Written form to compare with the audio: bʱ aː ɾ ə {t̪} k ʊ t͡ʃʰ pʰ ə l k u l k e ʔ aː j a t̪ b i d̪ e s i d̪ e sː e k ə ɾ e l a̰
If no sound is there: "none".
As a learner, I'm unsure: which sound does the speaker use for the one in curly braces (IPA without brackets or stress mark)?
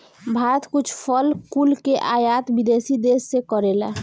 t̪